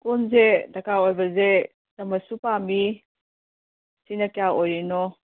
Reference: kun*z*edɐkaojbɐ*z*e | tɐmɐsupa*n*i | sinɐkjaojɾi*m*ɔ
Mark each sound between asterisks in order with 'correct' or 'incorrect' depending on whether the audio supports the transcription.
correct, correct, incorrect: m, incorrect: n

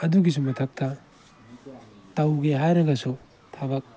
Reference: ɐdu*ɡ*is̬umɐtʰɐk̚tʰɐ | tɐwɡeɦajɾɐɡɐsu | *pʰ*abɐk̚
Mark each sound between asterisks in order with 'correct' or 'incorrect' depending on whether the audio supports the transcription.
correct, incorrect: tʰ

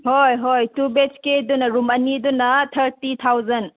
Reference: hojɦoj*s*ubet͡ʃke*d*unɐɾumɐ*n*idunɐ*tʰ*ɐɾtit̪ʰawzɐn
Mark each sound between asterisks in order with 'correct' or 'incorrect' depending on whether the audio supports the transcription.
incorrect: t, correct, correct, correct

